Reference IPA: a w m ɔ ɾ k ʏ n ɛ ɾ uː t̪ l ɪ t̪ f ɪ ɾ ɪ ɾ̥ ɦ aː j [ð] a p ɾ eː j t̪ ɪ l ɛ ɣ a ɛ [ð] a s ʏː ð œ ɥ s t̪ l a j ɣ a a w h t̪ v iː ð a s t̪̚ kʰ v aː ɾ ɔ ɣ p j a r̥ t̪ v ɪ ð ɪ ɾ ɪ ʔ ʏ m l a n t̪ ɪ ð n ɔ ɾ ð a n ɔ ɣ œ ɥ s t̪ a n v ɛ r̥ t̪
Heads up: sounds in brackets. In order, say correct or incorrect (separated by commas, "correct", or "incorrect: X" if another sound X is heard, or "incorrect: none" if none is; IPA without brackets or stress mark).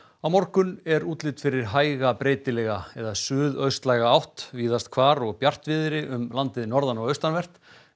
incorrect: ɣ, correct